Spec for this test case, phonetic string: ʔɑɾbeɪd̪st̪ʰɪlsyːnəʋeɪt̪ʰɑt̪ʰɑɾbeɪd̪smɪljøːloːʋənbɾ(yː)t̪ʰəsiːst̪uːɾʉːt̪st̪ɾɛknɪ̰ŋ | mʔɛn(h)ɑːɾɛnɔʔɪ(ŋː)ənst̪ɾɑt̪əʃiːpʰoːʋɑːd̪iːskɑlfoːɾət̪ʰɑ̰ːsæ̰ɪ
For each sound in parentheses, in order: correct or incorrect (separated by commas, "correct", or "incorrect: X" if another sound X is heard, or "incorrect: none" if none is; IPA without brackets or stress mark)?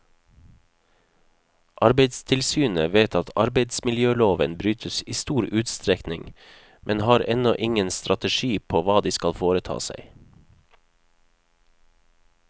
correct, correct, incorrect: ŋ